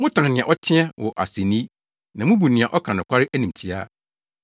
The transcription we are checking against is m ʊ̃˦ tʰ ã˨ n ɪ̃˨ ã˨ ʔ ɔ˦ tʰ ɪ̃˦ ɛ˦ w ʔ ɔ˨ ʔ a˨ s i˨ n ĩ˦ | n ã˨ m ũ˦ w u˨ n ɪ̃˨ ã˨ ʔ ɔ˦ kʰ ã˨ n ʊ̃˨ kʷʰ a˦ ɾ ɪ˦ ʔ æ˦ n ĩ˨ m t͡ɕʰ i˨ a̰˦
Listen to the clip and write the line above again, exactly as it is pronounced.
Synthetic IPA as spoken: m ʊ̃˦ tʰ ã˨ n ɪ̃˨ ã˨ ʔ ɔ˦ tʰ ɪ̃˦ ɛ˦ w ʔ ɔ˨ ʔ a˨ s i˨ n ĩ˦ | n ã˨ m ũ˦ b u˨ n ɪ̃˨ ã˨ ʔ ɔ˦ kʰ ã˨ n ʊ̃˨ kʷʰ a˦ ɾ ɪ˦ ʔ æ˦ n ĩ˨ m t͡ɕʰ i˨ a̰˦